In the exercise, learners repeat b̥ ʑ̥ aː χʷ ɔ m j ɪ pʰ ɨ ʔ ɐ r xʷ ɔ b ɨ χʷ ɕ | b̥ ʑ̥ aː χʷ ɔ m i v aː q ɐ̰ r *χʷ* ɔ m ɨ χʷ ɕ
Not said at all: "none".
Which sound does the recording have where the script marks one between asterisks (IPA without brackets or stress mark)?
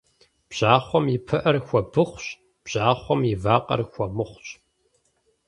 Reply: xʷ